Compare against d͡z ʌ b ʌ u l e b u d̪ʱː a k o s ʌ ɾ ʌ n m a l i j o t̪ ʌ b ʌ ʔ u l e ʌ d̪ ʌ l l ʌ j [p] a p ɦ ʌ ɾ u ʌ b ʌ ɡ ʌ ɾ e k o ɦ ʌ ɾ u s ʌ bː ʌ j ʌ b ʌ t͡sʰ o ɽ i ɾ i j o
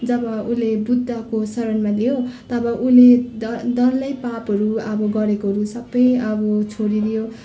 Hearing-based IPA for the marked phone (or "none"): p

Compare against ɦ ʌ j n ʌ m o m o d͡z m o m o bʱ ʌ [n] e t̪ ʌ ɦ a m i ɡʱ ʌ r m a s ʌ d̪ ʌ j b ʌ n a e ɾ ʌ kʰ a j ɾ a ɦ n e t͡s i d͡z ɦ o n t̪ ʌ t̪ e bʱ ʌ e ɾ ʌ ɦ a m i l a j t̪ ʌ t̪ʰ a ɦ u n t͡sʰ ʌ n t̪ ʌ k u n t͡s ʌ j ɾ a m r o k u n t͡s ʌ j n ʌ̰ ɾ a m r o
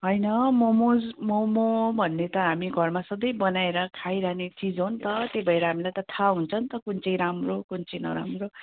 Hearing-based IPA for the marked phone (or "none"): nː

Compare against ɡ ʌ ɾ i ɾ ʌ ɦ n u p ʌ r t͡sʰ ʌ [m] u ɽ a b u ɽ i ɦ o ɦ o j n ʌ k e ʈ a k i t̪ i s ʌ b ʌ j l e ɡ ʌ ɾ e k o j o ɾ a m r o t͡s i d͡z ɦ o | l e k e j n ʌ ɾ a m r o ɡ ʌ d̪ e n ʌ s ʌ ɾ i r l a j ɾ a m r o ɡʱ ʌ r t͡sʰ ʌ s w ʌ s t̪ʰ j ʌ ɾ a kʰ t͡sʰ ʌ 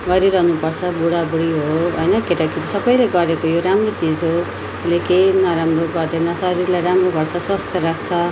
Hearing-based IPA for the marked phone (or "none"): b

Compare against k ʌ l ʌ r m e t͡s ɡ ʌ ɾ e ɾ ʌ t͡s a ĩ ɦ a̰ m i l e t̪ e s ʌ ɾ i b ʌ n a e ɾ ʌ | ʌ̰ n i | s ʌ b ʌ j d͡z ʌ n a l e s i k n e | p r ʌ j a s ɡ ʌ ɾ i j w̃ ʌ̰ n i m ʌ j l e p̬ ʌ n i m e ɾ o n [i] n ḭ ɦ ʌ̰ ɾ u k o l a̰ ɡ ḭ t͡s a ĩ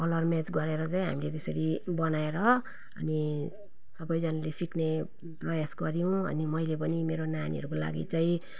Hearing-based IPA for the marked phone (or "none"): a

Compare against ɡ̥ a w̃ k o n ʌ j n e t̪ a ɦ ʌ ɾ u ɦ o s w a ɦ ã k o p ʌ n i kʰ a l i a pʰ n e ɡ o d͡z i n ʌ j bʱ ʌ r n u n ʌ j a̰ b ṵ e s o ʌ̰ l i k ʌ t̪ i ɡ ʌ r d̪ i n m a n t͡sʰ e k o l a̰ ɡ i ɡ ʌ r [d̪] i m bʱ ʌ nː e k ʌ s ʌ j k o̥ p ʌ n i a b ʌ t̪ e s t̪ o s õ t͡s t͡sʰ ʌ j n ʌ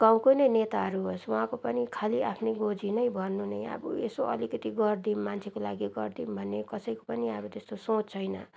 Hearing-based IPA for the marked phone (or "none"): d̪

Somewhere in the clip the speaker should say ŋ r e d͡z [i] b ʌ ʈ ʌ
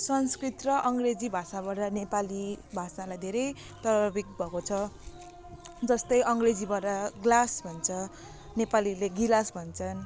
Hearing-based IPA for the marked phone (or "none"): i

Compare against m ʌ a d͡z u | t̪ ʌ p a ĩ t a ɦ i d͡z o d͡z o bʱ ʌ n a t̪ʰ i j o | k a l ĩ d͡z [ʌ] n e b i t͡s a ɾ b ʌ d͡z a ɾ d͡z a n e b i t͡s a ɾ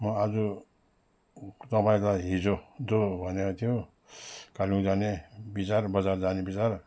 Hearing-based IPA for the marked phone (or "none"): a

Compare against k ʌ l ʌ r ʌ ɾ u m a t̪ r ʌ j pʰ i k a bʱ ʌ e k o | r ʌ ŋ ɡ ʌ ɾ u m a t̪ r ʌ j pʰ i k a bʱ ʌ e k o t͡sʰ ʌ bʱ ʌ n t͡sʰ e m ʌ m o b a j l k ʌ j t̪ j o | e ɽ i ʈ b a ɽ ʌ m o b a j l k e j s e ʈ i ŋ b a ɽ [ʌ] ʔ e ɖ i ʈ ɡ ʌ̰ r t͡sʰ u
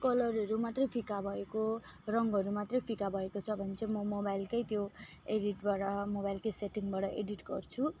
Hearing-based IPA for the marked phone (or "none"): ʌ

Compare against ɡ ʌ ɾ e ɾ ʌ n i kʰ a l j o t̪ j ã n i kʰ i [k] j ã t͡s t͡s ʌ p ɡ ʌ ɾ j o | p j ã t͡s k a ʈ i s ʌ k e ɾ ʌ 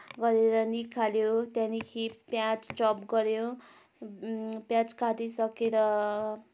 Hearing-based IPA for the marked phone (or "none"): p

